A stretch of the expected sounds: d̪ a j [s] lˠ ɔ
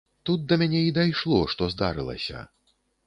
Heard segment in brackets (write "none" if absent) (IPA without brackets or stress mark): ʂ